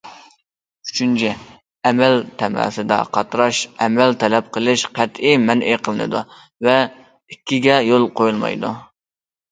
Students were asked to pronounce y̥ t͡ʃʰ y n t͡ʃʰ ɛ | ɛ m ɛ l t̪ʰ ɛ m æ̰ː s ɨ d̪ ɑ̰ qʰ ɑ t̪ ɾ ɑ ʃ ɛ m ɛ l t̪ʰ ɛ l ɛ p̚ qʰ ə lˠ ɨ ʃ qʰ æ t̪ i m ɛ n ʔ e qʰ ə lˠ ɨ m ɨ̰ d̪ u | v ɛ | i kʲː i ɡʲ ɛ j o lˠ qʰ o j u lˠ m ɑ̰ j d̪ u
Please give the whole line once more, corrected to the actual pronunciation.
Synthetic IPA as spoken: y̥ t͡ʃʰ y n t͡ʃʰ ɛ | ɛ m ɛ l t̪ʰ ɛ m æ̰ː s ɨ d̪ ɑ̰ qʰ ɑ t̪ ɾ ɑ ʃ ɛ m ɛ l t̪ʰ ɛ l ɛ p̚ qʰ ə lˠ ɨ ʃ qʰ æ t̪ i m ɛ n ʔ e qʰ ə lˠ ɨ n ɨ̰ d̪ u | v ɛ | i kʲː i ɡʲ ɛ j o lˠ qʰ o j u lˠ m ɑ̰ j d̪ u